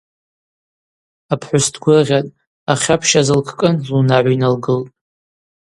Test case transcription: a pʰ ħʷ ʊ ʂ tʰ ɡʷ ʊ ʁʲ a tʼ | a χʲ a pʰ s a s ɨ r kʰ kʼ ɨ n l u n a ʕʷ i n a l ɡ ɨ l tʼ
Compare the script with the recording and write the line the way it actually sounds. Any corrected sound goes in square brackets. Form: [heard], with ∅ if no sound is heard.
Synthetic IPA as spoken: a pʰ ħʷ ʊ [s] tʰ ɡʷ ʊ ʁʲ a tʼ | a χʲ a pʰ [ʃ] a [z] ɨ [l] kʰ kʼ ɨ n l u n a ʕʷ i n a l ɡ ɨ l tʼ